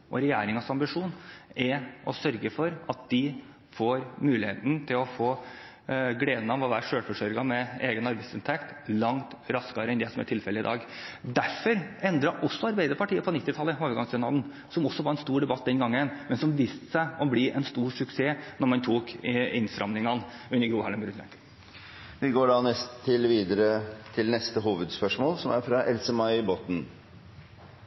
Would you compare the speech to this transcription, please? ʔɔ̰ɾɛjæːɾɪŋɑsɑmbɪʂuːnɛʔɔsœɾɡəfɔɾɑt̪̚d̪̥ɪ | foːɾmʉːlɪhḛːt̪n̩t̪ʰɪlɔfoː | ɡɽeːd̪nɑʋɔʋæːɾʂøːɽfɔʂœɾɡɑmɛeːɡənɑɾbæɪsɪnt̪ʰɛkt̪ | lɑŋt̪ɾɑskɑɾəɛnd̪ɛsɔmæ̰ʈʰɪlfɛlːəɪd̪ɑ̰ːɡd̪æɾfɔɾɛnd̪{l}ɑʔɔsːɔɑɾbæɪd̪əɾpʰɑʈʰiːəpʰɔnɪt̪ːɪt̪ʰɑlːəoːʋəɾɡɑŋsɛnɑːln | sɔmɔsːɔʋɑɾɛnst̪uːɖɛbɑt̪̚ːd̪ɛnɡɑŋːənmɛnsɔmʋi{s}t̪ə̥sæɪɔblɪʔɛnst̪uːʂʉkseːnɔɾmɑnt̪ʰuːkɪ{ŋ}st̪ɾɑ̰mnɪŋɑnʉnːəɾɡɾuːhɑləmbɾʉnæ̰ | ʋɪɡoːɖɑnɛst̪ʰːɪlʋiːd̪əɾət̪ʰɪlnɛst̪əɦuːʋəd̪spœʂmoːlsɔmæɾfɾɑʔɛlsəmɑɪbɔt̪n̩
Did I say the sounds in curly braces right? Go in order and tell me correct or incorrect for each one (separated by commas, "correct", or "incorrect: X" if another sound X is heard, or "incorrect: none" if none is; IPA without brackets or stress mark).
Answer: incorrect: ɾ, correct, incorrect: n